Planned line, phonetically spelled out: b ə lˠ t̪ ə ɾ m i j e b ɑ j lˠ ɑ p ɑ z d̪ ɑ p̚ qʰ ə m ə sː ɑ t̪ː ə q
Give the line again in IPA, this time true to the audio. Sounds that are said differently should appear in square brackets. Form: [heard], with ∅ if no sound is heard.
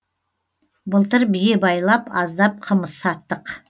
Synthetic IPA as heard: b ə lˠ t̪ ə ɾ [b] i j e b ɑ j lˠ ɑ p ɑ z d̪ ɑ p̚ qʰ ə m ə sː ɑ t̪ː ə q